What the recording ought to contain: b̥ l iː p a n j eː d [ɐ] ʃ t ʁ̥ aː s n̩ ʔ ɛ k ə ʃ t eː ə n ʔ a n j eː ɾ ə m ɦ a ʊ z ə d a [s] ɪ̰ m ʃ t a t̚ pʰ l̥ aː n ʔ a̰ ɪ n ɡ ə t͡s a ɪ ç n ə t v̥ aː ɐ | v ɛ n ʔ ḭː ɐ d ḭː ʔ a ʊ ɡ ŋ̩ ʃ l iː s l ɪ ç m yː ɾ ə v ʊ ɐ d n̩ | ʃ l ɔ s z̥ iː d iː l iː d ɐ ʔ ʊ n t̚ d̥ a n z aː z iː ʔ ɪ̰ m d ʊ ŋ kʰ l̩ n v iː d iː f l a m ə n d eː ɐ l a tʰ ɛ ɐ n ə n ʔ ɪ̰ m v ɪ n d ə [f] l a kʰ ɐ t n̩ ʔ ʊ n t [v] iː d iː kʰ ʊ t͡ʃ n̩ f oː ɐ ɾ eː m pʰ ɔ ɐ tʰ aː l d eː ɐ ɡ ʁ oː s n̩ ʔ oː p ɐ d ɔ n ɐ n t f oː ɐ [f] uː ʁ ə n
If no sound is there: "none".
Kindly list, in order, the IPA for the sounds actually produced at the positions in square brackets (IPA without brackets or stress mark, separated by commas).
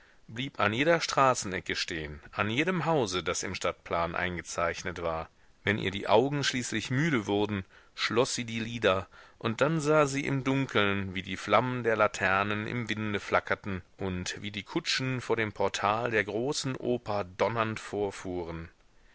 ɐ, s, f, v, f